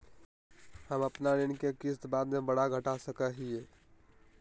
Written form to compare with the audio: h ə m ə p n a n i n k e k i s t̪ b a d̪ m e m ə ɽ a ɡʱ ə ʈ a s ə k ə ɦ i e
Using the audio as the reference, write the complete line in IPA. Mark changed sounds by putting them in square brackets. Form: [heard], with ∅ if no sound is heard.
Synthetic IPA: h ə m ə p n a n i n k e k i s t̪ b a d̪ m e [b] ə ɽ a ɡʱ ə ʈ a s ə k ə ɦ i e